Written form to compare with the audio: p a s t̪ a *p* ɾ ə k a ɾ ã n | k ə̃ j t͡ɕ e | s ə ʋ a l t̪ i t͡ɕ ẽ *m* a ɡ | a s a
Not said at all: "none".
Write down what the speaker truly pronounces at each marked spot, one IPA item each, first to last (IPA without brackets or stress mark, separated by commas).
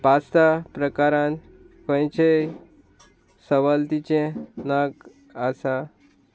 p, n